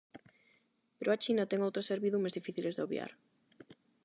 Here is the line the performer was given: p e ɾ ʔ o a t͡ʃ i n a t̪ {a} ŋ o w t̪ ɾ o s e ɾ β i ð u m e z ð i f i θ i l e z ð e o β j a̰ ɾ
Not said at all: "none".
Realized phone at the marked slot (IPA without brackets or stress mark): ɛ